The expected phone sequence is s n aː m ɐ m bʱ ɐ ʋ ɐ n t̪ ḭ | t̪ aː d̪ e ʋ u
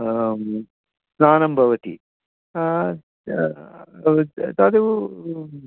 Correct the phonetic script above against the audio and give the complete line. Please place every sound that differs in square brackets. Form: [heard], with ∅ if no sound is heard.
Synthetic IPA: s n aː [n] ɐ m bʱ ɐ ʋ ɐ [∅] t̪ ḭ | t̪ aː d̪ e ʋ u